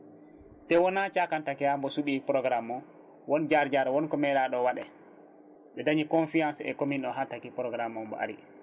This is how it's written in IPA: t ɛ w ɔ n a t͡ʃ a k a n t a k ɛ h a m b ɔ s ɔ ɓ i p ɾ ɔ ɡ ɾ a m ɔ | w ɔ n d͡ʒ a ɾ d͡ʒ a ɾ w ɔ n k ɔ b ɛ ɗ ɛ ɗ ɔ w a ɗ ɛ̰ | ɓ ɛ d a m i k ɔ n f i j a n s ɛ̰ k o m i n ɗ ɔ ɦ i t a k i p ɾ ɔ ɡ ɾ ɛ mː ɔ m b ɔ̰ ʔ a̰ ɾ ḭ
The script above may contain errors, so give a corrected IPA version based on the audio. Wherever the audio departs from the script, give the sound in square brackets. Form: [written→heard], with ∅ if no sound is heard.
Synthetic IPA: t ɛ w ɔ n a t͡ʃ a k a n t a k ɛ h a m b ɔ s [ɔ→u] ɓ i p ɾ ɔ ɡ ɾ a m ɔ | w ɔ n d͡ʒ a ɾ d͡ʒ a ɾ w ɔ n k ɔ [b→m] ɛ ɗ [ɛ→a] ɗ ɔ w a ɗ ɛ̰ | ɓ ɛ d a [m→ɲ] i k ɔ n f i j a n s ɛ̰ k o m i n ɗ ɔ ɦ [i→a] t a k i p ɾ ɔ ɡ ɾ [ɛ→a] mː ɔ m b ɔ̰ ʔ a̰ ɾ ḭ